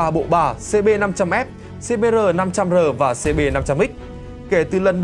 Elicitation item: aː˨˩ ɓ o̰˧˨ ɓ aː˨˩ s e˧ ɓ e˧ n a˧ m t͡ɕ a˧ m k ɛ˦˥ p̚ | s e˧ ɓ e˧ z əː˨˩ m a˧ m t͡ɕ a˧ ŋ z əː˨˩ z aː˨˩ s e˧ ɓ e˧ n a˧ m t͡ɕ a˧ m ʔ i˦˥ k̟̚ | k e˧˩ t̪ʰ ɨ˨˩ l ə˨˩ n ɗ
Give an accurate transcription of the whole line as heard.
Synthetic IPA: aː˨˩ ɓ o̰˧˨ ɓ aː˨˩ s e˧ ɓ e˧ n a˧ m t͡ɕ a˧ m ʔ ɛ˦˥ p̚ | s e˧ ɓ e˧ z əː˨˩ n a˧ m t͡ɕ a˧ m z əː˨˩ v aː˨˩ s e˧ ɓ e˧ n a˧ m t͡ɕ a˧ m ʔ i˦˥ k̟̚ | k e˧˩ t̪ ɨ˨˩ l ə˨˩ n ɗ

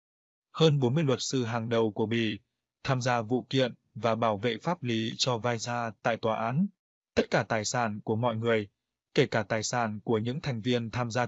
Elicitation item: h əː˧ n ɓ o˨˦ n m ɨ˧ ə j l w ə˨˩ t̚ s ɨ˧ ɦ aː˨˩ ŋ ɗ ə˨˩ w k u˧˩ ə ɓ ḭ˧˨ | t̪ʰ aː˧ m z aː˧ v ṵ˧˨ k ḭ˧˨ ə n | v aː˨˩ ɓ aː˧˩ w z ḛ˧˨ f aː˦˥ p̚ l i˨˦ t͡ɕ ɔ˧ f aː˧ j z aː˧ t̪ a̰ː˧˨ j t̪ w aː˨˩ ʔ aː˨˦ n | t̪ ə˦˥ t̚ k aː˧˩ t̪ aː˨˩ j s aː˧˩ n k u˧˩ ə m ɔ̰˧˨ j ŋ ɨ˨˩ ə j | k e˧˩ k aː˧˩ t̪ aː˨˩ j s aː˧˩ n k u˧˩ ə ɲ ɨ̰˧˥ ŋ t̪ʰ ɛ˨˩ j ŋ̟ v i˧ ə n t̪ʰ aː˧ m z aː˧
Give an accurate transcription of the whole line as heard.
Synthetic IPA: h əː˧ n ɓ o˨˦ n m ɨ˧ ə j l w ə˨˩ t̚ s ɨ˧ ɦ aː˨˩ ŋ ɗ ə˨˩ w k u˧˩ ə ɓ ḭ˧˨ | t̪ʰ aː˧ m z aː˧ v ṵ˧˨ k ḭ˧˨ ə n | v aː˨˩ ɓ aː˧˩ w v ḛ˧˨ f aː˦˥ p̚ l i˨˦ t͡ɕ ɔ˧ v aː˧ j z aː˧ t̪ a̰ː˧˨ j t̪ w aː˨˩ ʔ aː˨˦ n | t̪ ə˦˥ t̚ k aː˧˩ t̪ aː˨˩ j s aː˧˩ n k u˧˩ ə m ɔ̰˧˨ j ŋ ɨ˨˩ ə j | k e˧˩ k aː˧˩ t̪ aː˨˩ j s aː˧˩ n k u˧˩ ə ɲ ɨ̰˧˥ ŋ t̪ʰ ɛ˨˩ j ŋ̟ v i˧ ə n t̪ʰ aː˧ m z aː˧

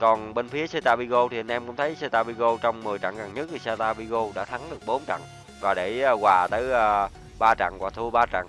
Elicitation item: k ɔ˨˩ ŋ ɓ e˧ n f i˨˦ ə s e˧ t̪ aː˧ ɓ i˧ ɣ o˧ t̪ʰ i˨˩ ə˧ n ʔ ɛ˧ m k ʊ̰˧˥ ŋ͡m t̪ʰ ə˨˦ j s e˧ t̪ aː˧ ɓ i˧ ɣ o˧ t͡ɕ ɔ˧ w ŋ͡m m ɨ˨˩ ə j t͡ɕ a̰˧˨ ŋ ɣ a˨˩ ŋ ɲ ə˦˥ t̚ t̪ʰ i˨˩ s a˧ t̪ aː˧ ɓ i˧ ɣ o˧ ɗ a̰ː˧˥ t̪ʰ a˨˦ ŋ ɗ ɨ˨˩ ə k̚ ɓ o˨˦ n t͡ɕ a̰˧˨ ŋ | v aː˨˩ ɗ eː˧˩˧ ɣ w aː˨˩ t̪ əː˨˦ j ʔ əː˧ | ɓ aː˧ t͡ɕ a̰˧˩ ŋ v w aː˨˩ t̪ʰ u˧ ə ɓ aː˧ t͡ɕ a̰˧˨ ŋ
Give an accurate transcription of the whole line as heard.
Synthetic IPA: k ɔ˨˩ n ɓ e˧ n f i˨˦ ə s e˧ t̪ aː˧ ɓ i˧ ɣ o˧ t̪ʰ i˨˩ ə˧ n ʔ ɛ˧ m k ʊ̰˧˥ ŋ͡m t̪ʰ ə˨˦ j s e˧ t̪ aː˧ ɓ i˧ ɣ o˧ t͡ɕ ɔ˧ w ŋ͡m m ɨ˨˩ ə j t͡ɕ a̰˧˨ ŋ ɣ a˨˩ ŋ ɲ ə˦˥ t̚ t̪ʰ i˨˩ s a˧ t̪ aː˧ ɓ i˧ ɣ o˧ ɗ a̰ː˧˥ t̪ʰ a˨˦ ŋ ɗ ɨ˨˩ ə k̚ ɓ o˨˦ n t͡ɕ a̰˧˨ ŋ | v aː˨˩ ɗ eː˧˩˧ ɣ w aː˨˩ t̪ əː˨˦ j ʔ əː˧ | ɓ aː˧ t͡ɕ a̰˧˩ ŋ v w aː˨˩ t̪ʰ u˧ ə ɓ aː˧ t͡ɕ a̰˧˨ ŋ

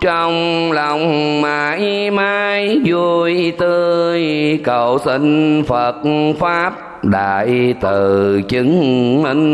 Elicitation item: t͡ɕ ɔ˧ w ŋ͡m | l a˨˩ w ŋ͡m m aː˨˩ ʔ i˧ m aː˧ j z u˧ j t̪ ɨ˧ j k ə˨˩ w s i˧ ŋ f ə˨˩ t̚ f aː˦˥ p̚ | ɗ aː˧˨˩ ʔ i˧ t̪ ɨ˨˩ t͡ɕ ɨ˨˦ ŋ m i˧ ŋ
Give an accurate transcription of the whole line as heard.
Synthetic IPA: t͡ɕ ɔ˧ w ŋ͡m | l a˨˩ w ŋ͡m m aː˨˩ ʔ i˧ m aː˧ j z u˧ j t̪ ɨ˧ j k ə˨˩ w s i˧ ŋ f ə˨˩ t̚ f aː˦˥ p̚ | ɗ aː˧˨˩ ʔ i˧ t̪ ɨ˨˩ t͡ɕ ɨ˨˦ ŋ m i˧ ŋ

